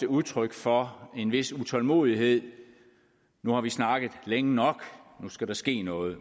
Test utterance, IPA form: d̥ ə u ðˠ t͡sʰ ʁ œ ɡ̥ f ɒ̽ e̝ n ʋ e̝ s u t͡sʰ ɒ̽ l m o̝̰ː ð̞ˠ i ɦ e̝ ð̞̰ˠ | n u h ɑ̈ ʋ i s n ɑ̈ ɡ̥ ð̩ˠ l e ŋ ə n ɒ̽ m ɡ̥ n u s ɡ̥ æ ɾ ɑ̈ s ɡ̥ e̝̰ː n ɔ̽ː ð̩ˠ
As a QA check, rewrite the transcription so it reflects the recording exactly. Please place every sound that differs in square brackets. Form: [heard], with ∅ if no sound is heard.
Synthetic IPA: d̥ ə u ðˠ t͡sʰ ʁ œ ɡ̥ f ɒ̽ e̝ n ʋ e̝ s u t͡sʰ ɒ̽ l m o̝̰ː ð̞ˠ i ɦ e̝ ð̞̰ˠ | n u h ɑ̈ ʋ i s n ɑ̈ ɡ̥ ð̩ˠ l e ŋ ə n ɒ̽ [∅] ɡ̥ n u s ɡ̥ æ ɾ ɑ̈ s ɡ̥ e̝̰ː n ɔ̽ː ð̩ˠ